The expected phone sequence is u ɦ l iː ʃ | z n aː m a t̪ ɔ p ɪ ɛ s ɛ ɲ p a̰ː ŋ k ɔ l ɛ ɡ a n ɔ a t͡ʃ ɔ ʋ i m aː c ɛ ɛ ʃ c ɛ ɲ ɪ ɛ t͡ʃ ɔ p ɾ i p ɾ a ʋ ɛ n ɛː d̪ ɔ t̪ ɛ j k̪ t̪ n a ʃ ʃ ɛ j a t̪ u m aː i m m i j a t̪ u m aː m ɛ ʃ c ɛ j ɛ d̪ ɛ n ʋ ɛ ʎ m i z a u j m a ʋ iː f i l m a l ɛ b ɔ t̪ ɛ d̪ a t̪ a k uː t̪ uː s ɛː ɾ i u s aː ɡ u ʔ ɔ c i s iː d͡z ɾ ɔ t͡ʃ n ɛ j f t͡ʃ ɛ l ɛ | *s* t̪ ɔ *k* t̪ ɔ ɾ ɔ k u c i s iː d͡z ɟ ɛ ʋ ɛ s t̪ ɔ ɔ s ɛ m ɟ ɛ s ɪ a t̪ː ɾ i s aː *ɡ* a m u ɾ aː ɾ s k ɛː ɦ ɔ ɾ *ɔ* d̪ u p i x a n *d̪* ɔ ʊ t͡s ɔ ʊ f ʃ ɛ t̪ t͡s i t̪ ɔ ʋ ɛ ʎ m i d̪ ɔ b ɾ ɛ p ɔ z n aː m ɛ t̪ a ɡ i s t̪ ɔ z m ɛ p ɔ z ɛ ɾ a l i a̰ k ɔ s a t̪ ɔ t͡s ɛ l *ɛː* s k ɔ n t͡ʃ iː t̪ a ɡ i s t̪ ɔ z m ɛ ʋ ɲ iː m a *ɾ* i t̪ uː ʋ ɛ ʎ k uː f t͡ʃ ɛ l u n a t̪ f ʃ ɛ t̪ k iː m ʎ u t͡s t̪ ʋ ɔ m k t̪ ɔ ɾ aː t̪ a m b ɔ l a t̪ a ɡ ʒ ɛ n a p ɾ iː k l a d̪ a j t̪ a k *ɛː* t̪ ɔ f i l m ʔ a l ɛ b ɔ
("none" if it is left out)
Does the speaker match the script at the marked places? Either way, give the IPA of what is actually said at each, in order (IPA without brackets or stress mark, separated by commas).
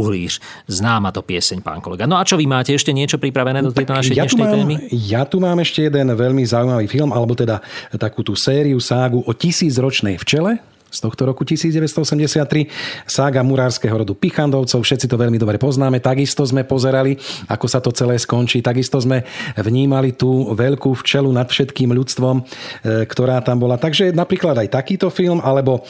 s, x, ɡ, ɔ, d̪, ɛː, l, iː